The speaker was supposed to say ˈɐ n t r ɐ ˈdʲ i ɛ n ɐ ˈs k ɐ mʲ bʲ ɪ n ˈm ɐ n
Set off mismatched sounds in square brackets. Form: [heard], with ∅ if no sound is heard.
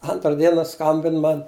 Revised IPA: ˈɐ n t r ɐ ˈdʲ i ɛ n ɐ ˈs k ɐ mʲ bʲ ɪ n ˈm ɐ n

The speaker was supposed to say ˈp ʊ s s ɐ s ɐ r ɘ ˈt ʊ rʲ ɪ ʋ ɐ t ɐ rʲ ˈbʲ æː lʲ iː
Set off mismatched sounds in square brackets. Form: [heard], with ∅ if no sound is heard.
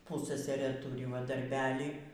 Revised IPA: ˈp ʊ s s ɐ s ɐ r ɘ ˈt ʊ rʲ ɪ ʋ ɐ [d] ɐ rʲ ˈbʲ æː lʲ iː

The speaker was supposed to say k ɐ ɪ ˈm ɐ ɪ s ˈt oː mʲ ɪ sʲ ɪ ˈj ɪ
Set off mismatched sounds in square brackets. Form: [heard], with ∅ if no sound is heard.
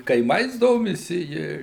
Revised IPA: k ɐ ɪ ˈm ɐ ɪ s [ˈd] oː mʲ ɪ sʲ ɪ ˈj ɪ

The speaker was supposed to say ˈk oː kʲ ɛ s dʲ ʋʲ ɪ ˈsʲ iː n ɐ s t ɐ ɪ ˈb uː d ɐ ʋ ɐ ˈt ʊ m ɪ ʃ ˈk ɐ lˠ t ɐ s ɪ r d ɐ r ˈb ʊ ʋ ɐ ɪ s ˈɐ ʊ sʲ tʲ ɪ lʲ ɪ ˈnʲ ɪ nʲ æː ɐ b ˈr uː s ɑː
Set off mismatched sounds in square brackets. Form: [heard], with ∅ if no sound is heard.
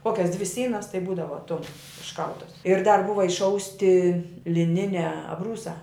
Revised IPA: ˈk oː kʲ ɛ s dʲ ʋʲ ɪ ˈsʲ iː n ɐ s t ɐ ɪ ˈb uː d ɐ ʋ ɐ ˈt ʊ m ɪ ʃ ˈk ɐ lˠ t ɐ s ɪ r d ɐ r ˈb ʊ ʋ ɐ ɪ [ʃ] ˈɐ ʊ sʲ tʲ ɪ lʲ ɪ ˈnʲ ɪ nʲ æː ɐ b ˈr uː s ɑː

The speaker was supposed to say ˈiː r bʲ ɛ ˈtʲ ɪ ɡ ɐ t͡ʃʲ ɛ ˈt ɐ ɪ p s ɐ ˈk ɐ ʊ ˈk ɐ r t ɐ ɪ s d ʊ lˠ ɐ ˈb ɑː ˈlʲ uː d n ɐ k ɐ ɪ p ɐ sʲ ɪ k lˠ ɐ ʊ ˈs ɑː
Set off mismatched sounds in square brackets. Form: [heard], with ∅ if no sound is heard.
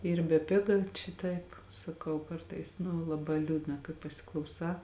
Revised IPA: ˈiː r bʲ ɛ [ˈpʲ] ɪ ɡ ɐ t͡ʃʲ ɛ ˈt ɐ ɪ p s ɐ ˈk ɐ ʊ ˈk ɐ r t ɐ ɪ s [n] ʊ lˠ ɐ ˈb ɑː ˈlʲ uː d n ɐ k ɐ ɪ p ɐ sʲ ɪ k lˠ ɐ ʊ ˈs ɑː

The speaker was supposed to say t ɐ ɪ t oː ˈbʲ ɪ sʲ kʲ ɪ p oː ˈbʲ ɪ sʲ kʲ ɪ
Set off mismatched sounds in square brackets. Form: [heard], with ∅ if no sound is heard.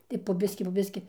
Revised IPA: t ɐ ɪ [p] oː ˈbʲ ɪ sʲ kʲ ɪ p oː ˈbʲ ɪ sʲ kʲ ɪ

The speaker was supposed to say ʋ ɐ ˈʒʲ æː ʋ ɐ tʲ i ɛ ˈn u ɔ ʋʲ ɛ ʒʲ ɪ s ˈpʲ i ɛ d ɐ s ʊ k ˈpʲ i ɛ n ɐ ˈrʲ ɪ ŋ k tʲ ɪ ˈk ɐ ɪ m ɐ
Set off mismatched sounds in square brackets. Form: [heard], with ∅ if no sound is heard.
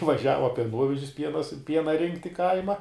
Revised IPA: ʋ ɐ ˈʒʲ æː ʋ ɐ [pʲ] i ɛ ˈn u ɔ ʋʲ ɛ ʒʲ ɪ s ˈpʲ i ɛ [n] ɐ s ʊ [∅] ˈpʲ i ɛ n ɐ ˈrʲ ɪ ŋ k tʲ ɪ ˈk ɐ ɪ m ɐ

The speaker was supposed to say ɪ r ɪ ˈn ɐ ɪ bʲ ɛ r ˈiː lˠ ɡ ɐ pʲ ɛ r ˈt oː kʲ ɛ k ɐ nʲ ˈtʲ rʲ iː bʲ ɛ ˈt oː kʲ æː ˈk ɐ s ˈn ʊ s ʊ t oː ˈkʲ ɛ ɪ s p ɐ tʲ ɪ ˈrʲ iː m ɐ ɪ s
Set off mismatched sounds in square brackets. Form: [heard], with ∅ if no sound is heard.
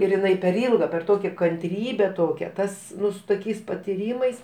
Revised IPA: ɪ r ɪ ˈn ɐ ɪ [pʲ] ɛ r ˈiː lˠ ɡ ɐ pʲ ɛ r ˈt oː kʲ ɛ k ɐ nʲ ˈtʲ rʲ iː bʲ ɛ ˈt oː kʲ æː [ˈt] ɐ s ˈn ʊ s ʊ t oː ˈkʲ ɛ ɪ s p ɐ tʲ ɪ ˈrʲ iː m ɐ ɪ s

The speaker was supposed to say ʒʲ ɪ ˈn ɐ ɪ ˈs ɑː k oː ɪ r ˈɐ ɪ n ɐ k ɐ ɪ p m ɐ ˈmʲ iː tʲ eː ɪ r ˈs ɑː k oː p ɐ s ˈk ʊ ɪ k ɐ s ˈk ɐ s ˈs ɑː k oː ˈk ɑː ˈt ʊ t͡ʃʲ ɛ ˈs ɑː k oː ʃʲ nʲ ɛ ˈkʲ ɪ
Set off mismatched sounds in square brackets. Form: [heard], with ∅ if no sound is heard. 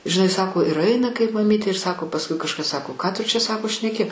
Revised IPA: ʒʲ ɪ ˈn ɐ ɪ ˈs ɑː k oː ɪ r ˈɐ ɪ n ɐ k ɐ ɪ p m ɐ ˈmʲ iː tʲ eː ɪ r ˈs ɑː k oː p ɐ s ˈk ʊ ɪ k ɐ [ʃ] ˈk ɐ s ˈs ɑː k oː ˈk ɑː ˈt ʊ t͡ʃʲ ɛ ˈs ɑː k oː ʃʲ nʲ ɛ ˈkʲ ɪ

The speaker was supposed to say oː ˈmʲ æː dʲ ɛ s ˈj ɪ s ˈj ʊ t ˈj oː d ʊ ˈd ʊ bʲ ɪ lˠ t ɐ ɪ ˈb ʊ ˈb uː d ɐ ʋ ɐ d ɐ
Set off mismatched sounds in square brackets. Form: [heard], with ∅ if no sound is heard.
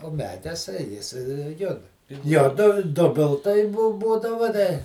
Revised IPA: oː ˈmʲ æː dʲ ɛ s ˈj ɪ s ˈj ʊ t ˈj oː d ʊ ˈd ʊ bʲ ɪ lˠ t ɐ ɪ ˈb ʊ ˈb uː d ɐ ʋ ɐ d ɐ

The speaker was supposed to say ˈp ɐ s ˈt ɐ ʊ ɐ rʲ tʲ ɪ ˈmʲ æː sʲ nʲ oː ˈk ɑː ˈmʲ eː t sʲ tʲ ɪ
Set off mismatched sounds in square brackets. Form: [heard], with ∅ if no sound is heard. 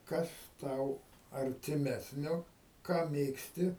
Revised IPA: [ˈk] ɐ s ˈt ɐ ʊ ɐ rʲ tʲ ɪ ˈmʲ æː sʲ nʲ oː ˈk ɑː ˈmʲ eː [k] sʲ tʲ ɪ

